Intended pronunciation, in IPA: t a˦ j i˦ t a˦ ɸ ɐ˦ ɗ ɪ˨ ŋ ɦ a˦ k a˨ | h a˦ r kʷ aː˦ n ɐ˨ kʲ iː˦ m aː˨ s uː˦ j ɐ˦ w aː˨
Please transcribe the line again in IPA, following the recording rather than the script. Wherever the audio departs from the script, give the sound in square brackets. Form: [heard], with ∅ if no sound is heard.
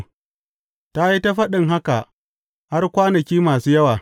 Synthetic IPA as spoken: t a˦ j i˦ t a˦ ɸ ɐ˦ ɗ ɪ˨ ŋ ɦ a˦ k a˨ | h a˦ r kʷ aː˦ n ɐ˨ kʲ iː˦ m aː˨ s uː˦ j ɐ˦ w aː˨

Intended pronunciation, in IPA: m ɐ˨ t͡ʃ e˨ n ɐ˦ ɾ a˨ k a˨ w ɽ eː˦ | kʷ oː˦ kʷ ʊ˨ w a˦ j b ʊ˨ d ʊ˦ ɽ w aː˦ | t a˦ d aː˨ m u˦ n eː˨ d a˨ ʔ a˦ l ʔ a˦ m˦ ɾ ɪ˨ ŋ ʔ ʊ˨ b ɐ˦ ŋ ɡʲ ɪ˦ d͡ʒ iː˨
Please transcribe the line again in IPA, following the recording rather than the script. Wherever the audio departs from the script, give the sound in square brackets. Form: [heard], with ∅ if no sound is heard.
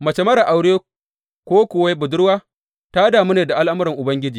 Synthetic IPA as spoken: m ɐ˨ t͡ʃ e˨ [m] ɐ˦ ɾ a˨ [ʔ] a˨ w ɽ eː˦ | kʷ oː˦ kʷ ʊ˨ w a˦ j b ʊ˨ d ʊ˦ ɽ w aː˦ | t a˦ d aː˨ m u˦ n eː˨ d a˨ ʔ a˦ l ʔ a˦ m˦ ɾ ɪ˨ ŋ ʔ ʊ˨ b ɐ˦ ŋ ɡʲ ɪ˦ d͡ʒ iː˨

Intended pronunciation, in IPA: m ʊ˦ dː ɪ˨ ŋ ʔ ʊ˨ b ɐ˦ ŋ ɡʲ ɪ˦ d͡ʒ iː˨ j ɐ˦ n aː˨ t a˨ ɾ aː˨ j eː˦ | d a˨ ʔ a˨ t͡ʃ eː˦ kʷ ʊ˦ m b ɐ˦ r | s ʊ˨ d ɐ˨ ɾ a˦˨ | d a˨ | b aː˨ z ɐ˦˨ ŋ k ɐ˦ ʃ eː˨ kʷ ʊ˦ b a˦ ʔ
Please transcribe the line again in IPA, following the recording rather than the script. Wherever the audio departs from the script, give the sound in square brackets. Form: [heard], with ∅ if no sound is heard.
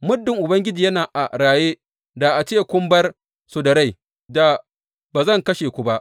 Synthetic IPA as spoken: m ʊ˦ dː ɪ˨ ŋ ʔ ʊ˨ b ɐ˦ ŋ ɡʲ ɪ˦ d͡ʒ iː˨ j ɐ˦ n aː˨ [ʔ] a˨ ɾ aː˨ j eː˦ | d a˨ ʔ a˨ t͡ʃ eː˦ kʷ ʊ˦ m b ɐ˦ r | s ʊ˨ d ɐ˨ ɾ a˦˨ | d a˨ | b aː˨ z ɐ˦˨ ŋ k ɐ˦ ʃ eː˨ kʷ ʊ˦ b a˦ ʔ

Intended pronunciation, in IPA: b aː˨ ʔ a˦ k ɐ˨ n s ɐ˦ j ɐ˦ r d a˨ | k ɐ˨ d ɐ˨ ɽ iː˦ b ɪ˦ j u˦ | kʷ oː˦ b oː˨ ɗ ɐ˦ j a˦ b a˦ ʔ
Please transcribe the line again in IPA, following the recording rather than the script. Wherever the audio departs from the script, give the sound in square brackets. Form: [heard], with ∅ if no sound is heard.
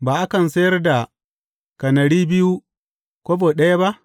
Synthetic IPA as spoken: b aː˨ ʔ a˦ k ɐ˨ n s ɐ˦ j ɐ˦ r d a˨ | k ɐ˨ [n] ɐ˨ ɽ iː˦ b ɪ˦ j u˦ | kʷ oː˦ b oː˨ ɗ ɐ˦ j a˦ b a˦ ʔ

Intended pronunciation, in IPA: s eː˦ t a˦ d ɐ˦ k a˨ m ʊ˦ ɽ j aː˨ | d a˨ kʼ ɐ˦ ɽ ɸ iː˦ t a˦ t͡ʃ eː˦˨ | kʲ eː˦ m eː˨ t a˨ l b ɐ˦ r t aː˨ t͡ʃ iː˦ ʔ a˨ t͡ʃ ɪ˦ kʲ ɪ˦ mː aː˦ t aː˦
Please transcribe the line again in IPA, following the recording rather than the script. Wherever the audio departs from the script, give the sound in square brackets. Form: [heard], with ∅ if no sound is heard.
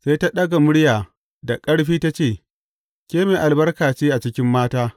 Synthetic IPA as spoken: s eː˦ t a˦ [ɗ] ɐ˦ [ɡ] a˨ m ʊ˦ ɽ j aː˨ | d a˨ kʼ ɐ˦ ɽ ɸ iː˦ t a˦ t͡ʃ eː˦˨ | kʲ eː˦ m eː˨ [ʔ] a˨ l b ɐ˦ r [k] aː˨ t͡ʃ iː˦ ʔ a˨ t͡ʃ ɪ˦ kʲ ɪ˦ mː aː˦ t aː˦

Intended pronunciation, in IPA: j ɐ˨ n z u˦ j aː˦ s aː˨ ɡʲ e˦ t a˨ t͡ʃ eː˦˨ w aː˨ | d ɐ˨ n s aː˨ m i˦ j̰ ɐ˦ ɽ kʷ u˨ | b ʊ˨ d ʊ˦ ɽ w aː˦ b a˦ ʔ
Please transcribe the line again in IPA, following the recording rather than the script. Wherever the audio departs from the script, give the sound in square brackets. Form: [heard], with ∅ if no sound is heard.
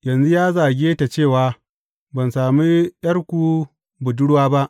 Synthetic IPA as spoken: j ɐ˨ n z u˦ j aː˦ [z] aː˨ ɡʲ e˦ t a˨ t͡ʃ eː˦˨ w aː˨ | [b] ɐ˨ n s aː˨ m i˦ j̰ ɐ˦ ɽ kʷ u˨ | b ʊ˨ d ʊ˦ ɽ w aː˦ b a˦ ʔ

